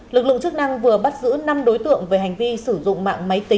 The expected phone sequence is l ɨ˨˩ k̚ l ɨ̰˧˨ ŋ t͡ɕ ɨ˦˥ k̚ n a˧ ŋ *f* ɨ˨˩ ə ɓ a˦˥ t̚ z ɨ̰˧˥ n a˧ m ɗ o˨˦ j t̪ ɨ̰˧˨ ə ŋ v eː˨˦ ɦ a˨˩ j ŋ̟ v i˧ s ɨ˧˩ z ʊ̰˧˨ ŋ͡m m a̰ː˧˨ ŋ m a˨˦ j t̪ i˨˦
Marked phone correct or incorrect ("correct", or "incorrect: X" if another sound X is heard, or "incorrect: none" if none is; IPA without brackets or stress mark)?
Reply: incorrect: v